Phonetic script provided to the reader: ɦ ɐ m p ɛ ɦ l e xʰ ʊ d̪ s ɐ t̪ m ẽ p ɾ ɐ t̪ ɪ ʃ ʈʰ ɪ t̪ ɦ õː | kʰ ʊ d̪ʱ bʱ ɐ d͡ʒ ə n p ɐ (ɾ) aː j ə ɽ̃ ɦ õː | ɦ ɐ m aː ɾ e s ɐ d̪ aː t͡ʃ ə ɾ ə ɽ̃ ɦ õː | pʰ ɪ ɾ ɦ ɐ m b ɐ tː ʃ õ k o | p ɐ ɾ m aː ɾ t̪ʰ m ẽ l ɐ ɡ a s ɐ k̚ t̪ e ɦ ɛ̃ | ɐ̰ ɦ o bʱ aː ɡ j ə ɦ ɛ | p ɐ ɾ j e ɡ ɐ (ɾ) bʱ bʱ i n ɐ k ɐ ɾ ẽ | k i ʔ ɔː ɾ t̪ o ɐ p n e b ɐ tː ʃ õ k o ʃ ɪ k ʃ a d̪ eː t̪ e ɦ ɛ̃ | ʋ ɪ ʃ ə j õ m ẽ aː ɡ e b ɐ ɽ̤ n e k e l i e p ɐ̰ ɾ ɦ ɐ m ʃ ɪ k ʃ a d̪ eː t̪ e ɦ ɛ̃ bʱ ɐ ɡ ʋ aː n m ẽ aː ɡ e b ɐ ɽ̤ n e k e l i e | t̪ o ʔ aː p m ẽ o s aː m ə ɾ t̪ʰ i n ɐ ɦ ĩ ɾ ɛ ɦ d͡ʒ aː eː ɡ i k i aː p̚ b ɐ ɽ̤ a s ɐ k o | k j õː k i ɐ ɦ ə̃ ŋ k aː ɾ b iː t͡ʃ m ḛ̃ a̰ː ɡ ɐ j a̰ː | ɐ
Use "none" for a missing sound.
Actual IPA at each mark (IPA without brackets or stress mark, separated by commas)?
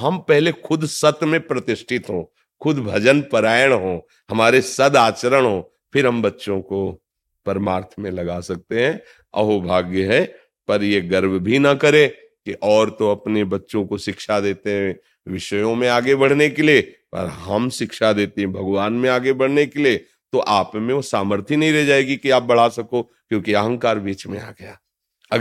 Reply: ɾ, ɾ